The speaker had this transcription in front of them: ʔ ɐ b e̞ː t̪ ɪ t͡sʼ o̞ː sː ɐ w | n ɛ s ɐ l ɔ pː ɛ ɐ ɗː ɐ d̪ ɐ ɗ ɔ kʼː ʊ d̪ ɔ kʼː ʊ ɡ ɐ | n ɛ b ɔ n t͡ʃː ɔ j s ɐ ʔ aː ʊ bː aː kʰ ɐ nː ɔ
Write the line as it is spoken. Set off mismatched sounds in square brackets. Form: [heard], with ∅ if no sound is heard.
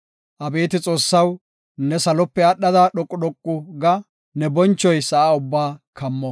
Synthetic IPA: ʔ ɐ b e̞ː t̪ ɪ t͡sʼ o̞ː sː ɐ w | n ɛ s ɐ l ɔ pː ɛ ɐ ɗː ɐ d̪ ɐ ɗ ɔ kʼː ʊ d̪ ɔ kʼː ʊ ɡ ɐ | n ɛ b ɔ n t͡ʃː ɔ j s ɐ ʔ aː ʊ bː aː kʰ ɐ [mː] ɔ